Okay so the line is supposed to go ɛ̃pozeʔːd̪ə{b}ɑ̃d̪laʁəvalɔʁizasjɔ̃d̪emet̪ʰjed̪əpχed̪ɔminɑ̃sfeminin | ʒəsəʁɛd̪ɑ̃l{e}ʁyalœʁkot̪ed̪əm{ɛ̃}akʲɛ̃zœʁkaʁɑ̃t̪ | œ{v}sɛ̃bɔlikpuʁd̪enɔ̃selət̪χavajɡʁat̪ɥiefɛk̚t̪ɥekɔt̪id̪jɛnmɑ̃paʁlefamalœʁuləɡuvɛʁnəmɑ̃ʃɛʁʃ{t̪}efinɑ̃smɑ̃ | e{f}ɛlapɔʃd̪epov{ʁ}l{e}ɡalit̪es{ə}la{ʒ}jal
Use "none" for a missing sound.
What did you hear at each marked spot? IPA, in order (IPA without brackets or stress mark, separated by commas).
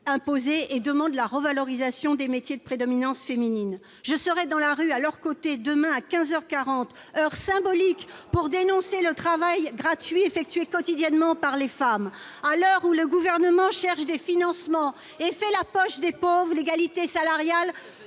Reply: m, a, ɛ̃, ʁ, d̪, f, ʁ, e, a, ʁ